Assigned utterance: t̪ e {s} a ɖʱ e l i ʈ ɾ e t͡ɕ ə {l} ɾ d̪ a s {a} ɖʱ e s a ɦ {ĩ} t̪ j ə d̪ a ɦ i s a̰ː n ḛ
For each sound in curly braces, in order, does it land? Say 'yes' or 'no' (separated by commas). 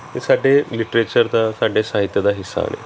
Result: yes, no, yes, no